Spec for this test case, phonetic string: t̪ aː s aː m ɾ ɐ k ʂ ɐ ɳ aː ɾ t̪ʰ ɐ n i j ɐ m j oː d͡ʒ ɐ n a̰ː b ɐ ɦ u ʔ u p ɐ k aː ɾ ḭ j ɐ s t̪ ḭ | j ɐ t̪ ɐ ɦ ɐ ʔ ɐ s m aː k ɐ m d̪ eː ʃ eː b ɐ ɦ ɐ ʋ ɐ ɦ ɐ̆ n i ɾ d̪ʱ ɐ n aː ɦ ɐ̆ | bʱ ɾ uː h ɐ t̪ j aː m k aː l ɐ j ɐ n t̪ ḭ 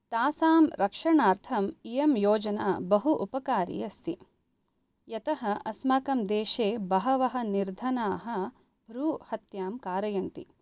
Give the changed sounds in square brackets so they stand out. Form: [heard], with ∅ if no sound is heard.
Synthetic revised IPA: t̪ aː s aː m ɾ ɐ k ʂ ɐ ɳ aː ɾ t̪ʰ ɐ [m] i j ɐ m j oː d͡ʒ ɐ n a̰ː b ɐ ɦ u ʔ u p ɐ k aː ɾ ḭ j ɐ s t̪ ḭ | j ɐ t̪ ɐ ɦ ɐ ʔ ɐ s m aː k ɐ m d̪ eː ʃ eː b ɐ ɦ ɐ ʋ ɐ ɦ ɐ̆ n i ɾ d̪ʱ ɐ n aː ɦ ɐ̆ | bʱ ɾ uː h ɐ t̪ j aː m k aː [ɾ] ɐ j ɐ n t̪ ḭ